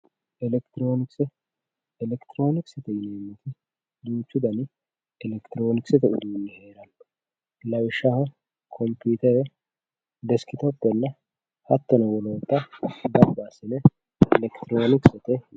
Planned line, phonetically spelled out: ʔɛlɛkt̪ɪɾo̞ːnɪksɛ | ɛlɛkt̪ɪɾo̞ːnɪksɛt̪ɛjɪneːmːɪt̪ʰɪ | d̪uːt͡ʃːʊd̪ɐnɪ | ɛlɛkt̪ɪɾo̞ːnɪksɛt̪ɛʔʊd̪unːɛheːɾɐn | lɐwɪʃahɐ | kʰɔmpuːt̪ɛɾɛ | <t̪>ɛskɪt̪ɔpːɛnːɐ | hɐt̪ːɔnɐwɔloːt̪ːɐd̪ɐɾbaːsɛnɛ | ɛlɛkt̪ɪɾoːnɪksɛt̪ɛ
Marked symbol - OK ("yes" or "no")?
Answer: no